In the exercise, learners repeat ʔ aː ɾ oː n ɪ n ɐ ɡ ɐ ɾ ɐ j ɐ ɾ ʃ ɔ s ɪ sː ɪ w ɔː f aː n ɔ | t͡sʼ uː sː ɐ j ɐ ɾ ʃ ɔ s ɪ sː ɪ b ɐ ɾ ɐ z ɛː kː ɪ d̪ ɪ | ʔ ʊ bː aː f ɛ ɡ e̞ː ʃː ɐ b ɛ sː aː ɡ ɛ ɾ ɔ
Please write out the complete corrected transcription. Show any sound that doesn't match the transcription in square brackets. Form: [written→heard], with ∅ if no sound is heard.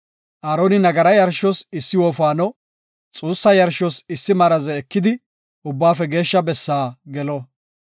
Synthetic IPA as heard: ʔ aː ɾ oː n ɪ n ɐ ɡ ɐ ɾ ɐ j ɐ ɾ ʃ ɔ s ɪ sː ɪ w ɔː f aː n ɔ | t͡sʼ uː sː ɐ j ɐ ɾ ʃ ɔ s ɪ sː ɪ [b→m] ɐ ɾ ɐ z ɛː kː ɪ d̪ ɪ | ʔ ʊ bː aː f ɛ ɡ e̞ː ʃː ɐ b ɛ sː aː ɡ ɛ [ɾ→l] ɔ